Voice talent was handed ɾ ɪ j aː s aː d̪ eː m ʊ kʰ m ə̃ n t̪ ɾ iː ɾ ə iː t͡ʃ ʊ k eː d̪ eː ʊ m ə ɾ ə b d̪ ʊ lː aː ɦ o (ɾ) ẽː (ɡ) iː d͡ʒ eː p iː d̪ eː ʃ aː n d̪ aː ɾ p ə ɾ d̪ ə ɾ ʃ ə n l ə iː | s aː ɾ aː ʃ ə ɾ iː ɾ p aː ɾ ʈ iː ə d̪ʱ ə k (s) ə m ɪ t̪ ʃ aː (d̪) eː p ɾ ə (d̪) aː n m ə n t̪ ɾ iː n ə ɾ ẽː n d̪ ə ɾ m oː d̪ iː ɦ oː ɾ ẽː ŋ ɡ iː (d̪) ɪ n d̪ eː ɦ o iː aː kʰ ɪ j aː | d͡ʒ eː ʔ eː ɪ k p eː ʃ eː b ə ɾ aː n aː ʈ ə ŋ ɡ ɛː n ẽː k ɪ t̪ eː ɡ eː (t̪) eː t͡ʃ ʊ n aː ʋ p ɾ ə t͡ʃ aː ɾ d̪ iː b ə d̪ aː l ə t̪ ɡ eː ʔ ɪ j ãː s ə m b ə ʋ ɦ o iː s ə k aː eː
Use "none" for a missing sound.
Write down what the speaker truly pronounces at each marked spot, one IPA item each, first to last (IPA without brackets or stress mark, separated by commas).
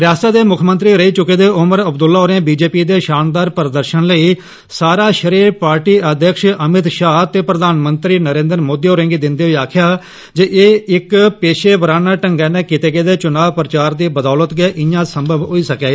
ɾ, b, ʃ, t̪, d̪, d̪, d̪